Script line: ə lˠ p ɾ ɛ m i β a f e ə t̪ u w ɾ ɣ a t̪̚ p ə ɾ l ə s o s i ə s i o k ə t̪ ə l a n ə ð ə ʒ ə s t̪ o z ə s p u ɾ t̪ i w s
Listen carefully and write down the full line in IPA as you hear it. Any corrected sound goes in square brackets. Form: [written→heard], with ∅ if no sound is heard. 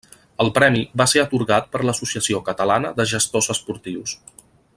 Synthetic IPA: ə lˠ p ɾ ɛ m i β a [f→s] e ə t̪ u [w→∅] ɾ ɣ a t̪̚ p ə ɾ l ə s [o→u] s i ə s i o k ə t̪ ə l a n ə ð ə ʒ ə s t̪ o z ə s p u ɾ t̪ i w s